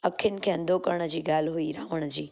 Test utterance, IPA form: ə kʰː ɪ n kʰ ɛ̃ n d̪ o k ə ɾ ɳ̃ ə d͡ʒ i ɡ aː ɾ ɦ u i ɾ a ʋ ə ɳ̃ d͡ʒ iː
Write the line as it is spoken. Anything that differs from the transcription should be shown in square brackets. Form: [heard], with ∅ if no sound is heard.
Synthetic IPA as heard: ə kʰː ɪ n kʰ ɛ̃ n d̪ o k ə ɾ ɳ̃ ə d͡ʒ i ɡ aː [l] ɦ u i ɾ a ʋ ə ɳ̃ d͡ʒ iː